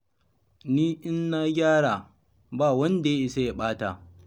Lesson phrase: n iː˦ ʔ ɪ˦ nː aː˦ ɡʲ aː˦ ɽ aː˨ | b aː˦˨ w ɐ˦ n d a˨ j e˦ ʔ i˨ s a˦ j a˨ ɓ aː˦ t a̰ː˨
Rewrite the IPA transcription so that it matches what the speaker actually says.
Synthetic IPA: n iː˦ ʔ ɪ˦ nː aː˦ ɡʲ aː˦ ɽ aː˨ | b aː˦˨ w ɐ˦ n d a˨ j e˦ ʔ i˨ s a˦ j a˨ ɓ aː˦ t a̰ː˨